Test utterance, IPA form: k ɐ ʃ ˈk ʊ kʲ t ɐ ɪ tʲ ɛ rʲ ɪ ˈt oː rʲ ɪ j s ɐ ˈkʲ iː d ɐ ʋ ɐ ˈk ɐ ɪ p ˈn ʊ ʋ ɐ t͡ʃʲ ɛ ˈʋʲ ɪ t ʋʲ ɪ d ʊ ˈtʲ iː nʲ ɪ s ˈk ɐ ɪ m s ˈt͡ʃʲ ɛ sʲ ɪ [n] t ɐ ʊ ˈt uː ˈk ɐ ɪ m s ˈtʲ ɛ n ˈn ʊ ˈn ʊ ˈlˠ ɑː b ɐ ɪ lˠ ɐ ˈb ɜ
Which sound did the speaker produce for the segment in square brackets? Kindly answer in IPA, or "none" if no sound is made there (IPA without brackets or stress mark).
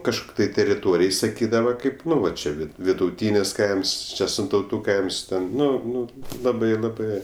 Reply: n